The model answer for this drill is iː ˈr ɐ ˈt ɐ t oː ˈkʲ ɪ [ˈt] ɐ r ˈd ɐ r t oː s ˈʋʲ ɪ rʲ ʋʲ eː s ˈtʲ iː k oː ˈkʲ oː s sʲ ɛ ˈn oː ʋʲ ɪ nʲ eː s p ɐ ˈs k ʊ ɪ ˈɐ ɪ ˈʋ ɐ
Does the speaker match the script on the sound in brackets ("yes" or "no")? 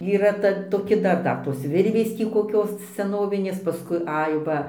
no